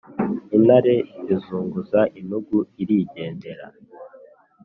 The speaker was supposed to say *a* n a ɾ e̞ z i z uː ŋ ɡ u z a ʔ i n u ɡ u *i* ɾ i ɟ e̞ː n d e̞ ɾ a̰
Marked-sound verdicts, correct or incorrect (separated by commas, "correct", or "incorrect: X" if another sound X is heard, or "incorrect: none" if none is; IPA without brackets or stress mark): incorrect: i, correct